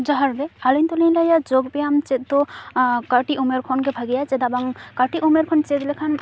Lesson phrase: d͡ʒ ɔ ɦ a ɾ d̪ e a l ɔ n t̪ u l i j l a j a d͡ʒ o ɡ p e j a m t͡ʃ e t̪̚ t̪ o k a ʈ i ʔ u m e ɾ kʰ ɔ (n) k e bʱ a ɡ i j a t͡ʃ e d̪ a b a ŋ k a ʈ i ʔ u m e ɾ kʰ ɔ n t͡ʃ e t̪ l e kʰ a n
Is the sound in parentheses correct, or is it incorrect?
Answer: correct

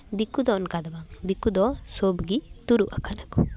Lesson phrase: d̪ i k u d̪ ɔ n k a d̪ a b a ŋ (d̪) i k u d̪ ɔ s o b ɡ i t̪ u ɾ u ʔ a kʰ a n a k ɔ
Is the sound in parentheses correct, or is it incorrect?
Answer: correct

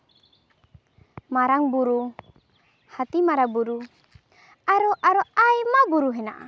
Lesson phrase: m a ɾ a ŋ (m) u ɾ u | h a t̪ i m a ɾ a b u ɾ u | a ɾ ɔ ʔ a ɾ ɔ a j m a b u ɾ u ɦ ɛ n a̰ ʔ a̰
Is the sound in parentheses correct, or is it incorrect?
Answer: incorrect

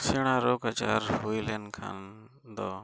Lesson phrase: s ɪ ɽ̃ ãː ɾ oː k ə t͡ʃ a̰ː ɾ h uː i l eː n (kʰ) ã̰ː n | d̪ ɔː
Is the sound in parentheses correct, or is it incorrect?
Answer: correct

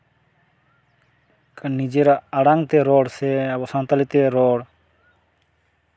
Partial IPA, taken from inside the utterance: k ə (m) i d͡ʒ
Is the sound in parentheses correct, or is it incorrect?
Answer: incorrect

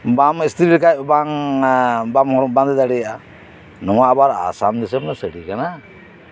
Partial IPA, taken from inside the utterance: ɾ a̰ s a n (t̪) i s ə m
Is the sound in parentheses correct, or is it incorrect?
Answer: incorrect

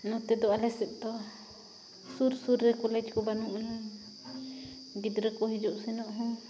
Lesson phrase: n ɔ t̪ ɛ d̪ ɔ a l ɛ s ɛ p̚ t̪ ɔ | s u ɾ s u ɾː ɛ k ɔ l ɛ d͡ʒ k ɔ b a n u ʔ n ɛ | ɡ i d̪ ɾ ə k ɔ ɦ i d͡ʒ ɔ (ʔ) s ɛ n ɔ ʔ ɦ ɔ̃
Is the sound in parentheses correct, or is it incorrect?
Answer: correct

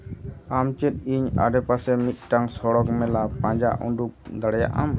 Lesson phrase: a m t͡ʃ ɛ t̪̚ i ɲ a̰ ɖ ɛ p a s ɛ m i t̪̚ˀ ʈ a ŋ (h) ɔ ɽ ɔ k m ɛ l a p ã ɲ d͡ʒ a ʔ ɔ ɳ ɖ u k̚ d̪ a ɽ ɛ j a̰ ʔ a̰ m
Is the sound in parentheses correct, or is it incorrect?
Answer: incorrect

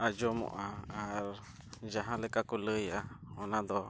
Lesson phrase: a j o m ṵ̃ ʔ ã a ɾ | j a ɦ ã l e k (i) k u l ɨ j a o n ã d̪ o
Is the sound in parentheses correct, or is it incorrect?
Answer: incorrect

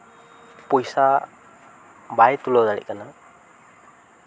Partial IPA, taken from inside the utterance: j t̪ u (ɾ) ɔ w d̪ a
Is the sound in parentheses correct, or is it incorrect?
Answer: incorrect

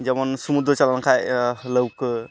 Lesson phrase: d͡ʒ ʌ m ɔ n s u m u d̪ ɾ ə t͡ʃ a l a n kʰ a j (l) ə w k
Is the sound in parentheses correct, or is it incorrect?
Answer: correct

